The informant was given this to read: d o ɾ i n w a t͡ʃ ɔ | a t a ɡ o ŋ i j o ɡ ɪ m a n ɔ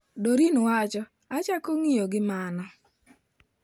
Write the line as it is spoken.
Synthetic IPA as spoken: d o ɾ i n w a t͡ʃ ɔ | a t͡ʃ a k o ŋ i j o ɡ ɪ m a n ɔ